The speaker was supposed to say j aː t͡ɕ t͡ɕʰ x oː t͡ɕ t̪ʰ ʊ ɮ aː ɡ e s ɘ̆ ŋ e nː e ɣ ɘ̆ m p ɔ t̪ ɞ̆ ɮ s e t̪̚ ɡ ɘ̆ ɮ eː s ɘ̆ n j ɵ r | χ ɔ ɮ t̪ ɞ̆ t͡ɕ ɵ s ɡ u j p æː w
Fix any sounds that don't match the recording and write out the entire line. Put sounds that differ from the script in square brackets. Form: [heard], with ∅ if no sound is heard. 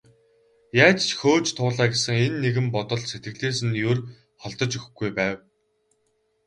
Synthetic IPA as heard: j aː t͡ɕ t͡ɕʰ x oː t͡ɕ t̪ʰ [ʊː] ɮ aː ɡ e s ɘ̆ ŋ e nː e ɣ ɘ̆ m p ɔ t̪ ɞ̆ ɮ s e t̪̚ ɡ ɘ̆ ɮ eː s ɘ̆ n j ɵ r | χ ɔ ɮ t̪ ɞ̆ t͡ɕ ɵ [x] ɡ u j p æː w

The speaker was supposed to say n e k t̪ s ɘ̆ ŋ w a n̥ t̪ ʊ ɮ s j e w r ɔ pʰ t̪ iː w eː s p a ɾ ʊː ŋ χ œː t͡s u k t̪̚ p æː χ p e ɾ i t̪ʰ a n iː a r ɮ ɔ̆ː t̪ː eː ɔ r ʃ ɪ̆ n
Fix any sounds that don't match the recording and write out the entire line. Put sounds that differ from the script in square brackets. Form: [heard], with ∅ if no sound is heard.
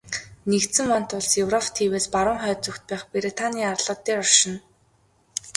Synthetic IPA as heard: n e k t̪ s ɘ̆ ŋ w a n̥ t̪ ʊ ɮ s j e w r ɔ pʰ [t̪ʰ] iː w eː s p a ɾ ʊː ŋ χ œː t͡s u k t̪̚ p æː χ p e ɾ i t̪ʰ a n iː a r ɮ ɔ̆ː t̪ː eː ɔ r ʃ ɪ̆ n

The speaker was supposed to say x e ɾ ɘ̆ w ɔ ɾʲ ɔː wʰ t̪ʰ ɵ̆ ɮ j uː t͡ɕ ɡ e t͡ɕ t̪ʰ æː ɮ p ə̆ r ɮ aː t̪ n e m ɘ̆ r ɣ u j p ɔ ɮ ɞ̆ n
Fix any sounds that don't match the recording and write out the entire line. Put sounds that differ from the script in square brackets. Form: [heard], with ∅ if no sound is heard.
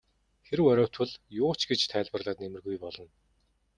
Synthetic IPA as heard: x e ɾ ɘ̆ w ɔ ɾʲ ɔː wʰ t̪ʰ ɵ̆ ɮ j [ʊː] t͡ɕ ɡ e t͡ɕ t̪ʰ æː ɮ p ə̆ r ɮ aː t̪ n e m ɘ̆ r ɣ u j p ɔ ɮ ɞ̆ n

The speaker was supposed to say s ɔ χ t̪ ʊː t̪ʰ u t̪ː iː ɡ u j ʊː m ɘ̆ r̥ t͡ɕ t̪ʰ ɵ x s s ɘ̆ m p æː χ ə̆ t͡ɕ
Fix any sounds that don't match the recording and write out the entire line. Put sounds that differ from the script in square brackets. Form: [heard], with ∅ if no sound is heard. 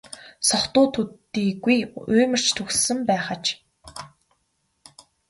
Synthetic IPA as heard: s ɔ χ t̪ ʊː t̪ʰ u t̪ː iː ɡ u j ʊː m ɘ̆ r̥ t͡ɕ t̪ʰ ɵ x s s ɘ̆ m p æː χ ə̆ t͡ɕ

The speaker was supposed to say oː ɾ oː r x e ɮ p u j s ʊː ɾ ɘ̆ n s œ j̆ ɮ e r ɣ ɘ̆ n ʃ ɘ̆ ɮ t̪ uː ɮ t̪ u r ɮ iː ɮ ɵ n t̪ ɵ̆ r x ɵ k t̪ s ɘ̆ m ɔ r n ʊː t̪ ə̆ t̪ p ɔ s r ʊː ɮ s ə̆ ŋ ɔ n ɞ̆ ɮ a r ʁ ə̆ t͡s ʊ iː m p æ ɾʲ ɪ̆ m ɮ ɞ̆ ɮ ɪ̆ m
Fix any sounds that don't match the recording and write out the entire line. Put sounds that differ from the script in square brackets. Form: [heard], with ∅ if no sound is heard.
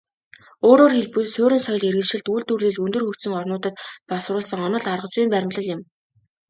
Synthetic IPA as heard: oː ɾ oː r x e ɮ p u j s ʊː ɾ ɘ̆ n s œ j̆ ɮ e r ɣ ɘ̆ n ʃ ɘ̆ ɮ t̪ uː ɮ t̪ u r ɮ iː ɮ ɵ n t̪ ɵ̆ r x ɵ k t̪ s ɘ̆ [ŋ] ɔ r n ʊː t̪ ə̆ t̪ p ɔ s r ʊː ɮ s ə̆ ŋ ɔ n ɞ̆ ɮ a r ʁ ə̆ t͡s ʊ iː m p æ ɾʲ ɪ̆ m ɮ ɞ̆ ɮ ɪ̆ m

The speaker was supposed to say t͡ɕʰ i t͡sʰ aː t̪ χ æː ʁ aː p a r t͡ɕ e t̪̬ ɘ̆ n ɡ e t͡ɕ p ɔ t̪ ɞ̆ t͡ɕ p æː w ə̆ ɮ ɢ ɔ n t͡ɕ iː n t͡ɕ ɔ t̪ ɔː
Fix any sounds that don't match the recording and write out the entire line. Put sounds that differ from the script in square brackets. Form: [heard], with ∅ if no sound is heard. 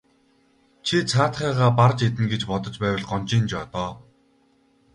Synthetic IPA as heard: t͡ɕʰ i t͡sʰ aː t̪ χ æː ʁ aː p a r t͡ɕ e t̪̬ ɘ̆ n ɡ e t͡ɕ p ɔ t̪ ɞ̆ t͡ɕ p æː w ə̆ ɮ ɢ ɔ n t͡ɕ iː n t͡ɕ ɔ t̪ ɔː

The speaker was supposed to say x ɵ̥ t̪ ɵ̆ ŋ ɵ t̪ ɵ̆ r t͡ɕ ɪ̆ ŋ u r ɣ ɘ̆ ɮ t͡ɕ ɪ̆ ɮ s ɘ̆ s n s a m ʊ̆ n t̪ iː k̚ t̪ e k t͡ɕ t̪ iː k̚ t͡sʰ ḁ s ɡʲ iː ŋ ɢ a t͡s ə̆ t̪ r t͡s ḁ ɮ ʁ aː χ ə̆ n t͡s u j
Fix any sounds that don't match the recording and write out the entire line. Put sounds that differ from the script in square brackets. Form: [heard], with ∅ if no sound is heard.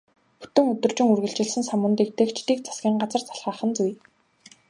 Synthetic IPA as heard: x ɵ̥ t̪ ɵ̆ ŋ ɵ t̪ ɵ̆ r t͡ɕ ɪ̆ ŋ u r ɣ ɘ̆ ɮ t͡ɕ ɪ̆ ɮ s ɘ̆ [∅] n s a m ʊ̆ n t̪ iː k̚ t̪ e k t͡ɕ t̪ iː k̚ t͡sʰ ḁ s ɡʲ iː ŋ ɢ a t͡s ə̆ [∅] r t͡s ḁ ɮ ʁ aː χ ə̆ n t͡s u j

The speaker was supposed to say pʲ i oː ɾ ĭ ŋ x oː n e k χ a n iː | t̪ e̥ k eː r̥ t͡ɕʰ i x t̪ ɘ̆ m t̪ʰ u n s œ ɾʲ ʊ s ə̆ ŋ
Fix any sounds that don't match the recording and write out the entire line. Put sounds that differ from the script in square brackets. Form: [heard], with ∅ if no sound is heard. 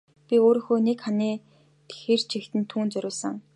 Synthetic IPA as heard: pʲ i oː ɾ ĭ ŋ x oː n e k χ a n iː | t̪ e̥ [x] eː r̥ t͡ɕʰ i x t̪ ɘ̆ [n] t̪ʰ [uː] n [t͡s] œ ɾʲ [ʊː] s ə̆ ŋ

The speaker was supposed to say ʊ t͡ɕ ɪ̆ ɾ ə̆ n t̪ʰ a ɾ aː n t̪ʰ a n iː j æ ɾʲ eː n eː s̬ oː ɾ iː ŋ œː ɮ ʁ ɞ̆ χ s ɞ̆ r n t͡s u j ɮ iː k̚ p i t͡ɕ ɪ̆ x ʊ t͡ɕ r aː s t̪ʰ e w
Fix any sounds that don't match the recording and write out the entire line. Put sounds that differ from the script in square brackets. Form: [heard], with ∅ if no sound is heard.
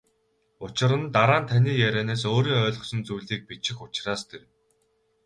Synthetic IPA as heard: ʊ t͡ɕ ɪ̆ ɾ ə̆ n [t̪] a ɾ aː n t̪ʰ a n iː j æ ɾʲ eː n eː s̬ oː ɾ iː ŋ œː ɮ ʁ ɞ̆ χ s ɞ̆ [∅] n t͡s u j ɮ iː k̚ p i t͡ɕ ɪ̆ x ʊ t͡ɕ r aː s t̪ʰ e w

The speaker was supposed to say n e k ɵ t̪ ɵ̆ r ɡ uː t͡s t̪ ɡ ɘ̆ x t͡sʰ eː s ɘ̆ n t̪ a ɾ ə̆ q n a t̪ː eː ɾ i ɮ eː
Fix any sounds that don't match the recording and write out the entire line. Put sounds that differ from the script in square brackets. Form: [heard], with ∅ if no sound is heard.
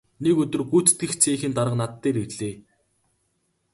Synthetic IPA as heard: n e k ɵ t̪ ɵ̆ r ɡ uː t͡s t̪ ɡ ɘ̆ x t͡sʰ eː [x] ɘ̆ n t̪ a ɾ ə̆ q n a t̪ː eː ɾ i ɮ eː

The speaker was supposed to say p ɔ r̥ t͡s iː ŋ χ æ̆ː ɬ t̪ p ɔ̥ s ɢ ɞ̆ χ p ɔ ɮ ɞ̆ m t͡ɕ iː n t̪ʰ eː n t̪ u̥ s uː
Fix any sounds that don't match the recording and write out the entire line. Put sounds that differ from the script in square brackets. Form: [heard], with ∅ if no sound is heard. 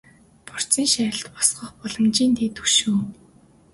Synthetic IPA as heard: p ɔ r̥ t͡s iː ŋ [ʃ] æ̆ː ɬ t̪ p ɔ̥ s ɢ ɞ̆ χ p ɔ ɮ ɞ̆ m t͡ɕ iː n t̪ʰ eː [∅] t̪ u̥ [ʃ] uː

